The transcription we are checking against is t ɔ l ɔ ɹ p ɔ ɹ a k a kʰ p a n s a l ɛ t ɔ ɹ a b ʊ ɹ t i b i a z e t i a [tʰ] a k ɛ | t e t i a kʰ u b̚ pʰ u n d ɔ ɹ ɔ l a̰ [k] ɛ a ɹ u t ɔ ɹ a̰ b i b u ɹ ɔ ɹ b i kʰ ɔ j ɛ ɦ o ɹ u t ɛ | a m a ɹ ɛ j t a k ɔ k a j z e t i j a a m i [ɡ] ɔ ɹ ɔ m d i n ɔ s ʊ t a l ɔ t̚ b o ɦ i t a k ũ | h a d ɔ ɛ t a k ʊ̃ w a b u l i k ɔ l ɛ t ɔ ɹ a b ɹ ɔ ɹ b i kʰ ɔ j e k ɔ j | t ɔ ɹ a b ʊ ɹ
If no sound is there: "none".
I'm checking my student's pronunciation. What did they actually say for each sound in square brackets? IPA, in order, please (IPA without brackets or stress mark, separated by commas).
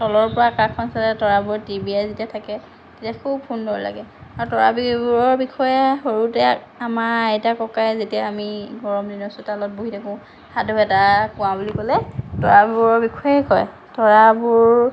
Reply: tʰ, ɡ, ɡ